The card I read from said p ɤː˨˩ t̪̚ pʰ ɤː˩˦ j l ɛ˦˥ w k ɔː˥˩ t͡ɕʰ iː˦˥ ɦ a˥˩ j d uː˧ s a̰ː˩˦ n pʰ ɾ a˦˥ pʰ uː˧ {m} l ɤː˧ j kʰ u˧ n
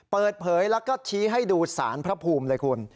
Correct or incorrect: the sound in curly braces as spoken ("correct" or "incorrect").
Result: correct